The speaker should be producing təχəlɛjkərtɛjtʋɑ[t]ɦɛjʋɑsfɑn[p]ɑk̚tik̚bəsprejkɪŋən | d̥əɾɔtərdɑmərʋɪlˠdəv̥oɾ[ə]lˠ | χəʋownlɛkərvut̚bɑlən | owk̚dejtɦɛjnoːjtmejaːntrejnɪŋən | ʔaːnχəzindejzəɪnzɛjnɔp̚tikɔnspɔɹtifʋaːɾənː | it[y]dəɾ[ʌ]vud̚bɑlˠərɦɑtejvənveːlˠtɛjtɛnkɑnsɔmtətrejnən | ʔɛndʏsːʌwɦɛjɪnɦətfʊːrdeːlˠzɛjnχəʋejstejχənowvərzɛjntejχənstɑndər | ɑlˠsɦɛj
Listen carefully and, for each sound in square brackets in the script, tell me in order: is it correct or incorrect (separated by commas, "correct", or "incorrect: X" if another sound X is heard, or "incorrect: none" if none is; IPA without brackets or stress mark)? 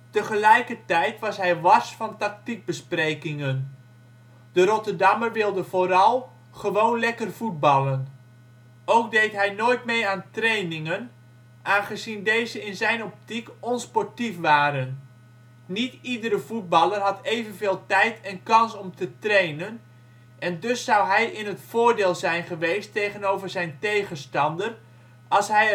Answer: incorrect: s, incorrect: t, incorrect: ɑ, incorrect: i, incorrect: ə